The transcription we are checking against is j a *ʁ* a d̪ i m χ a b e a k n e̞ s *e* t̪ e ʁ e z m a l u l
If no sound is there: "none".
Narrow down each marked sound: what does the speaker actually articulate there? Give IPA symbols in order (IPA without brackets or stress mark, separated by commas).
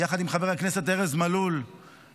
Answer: χ, e